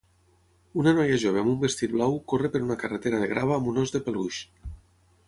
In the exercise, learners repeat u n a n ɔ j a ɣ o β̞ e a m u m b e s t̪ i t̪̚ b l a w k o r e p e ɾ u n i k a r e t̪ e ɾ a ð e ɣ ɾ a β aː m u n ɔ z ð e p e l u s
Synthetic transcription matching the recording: u n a n ɔ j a ʒ o β̞ e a m u m b e s t̪ i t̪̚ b l a w k o r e p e ɾ u n a k a r e t̪ e ɾ a ð e ɣ ɾ a β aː m u n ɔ z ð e p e l u ʃ

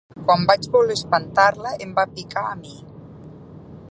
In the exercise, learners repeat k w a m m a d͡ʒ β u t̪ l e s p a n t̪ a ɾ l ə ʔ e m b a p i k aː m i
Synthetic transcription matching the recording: k w a m b a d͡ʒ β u l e s p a n t̪ a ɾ l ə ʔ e m b a p i k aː m i

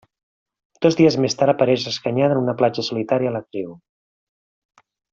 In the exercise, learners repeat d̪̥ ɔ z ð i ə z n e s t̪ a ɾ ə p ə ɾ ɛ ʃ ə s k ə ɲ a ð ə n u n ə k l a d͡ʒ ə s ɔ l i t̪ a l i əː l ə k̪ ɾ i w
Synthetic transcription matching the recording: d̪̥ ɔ z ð i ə z m e s t̪ a ɾ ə p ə ɾ ɛ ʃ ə s k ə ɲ a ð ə n u n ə p l a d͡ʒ ə s u l i t̪ a ɾ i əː l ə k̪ ɾ i w

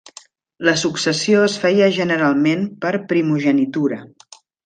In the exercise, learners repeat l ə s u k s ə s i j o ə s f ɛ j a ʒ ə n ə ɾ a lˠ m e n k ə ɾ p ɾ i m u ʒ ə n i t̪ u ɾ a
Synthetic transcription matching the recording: l ə s u k s ə s i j o ə s f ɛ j ə ʒ ə n ə ɾ a lˠ m e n p ə ɾ p ɾ i m u ʒ ə n i t̪ u ɾ ə

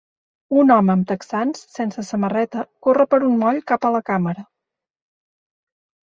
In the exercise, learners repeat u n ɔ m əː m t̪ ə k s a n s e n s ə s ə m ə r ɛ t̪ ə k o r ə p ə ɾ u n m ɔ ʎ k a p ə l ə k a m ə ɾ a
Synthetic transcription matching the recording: u n ɔ m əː m t̪ ə k s a n sː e n s ə s ə m ə r ɛ t̪ ə k o r ə p ə ɾ u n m ɔ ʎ k a p ə l ə k a m ə ɾ ə

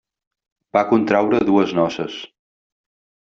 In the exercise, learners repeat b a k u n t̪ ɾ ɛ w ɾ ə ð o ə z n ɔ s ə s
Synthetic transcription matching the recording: b a k u n t̪ ɾ a w ɾ ə ð u ə z n ɔ s ə s

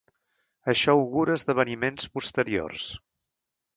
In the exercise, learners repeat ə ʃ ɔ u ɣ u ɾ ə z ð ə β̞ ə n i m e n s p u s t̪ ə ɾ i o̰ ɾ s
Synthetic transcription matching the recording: ə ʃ ɔ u ɣ u ɾ ə z ð ə β̞ ə n i m e n s p u s t̪ ə ɾ i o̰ r s

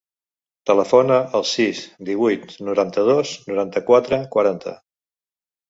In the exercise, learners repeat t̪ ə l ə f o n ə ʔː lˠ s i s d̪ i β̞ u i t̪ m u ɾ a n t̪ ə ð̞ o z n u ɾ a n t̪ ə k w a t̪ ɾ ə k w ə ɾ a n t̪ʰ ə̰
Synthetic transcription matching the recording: t̪ ə l ə f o n ə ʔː lˠ s i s d̪ i β̞ u j t̪ n u ɾ a n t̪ ə ð̞ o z n u ɾ a n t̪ ə k w a t̪ ɾ ə k w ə ɾ a n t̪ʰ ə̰

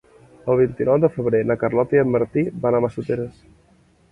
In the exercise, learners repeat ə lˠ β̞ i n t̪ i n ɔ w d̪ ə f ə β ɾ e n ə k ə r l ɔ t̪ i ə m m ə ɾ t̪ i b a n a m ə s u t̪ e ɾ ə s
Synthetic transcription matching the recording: ə lˠ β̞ i n t̪ i n ɔ w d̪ ə f ə β ɾ e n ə k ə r l ɔ t̪ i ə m m ə ɾ t̪ i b a n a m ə s u t̪ e ɾ ə s

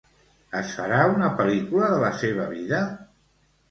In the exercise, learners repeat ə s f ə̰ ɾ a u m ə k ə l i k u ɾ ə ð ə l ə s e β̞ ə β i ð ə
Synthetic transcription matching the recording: ə s f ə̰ ɾ a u n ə p ə l i k u l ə ð ə l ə s e β̞ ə β i ð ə

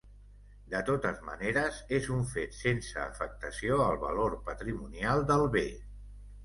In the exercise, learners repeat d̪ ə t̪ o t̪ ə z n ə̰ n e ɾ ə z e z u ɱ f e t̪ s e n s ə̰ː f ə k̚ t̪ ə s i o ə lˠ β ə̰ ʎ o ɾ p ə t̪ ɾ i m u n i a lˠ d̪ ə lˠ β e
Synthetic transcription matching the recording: d̪ ə t̪ o t̪ ə z m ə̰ n e ɾ ə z e z u ɱ f e t̪ s e n s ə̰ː f ə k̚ t̪ ə s i o ə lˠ β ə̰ l o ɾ p ə t̪ ɾ i m u n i a lˠ d̪ ə lˠ β e

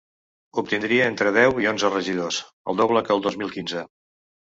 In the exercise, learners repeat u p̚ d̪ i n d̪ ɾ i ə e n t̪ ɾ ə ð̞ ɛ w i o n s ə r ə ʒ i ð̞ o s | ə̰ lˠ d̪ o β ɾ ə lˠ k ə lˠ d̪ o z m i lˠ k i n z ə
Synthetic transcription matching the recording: u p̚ t̪ i n d̪ ɾ i ə e n t̪ ɾ ə ð̞ ɛ w i o n z ə r ə ʒ i ð̞ o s | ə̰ lˠ d̪ o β l ə k ə lˠ d̪ o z m i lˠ k i n z ə

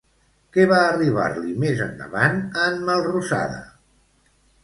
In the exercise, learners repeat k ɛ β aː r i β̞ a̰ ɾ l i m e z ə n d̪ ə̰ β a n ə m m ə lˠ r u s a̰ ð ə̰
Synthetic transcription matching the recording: k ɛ β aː r i β̞ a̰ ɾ l i m e z ə n d̪ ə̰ β a n ə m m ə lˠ r u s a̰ ð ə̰

